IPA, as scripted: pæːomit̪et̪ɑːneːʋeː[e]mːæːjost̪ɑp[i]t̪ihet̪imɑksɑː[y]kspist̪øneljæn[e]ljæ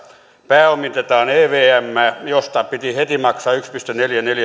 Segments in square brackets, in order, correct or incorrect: incorrect: æ, correct, correct, correct

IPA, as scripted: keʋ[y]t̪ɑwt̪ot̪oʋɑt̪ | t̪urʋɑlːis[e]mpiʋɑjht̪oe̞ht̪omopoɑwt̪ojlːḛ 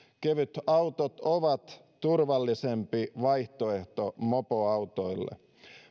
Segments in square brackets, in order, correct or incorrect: correct, correct

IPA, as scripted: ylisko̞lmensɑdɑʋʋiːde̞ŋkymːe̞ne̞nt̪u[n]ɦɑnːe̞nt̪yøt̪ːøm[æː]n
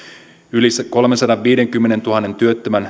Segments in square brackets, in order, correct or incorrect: incorrect: none, incorrect: æ

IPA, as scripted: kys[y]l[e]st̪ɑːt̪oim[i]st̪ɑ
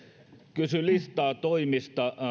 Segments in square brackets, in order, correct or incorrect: correct, incorrect: i, correct

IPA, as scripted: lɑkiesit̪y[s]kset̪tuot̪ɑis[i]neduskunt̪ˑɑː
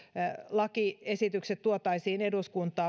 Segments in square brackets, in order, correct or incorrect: incorrect: none, incorrect: iː

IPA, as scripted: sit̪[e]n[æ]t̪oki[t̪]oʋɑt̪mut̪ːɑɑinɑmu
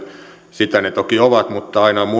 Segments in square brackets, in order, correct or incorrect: incorrect: æ, incorrect: e, incorrect: none

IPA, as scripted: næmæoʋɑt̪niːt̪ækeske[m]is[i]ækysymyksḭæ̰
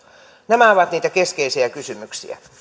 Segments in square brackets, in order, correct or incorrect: incorrect: none, correct

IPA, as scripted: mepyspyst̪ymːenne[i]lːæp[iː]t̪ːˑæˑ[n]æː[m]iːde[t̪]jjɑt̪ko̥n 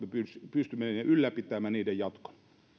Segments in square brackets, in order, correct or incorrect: incorrect: y, incorrect: i, incorrect: m, incorrect: n, incorrect: none

